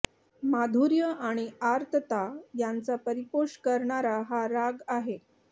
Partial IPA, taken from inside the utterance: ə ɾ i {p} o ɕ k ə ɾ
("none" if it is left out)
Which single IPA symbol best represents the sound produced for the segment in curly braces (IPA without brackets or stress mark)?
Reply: p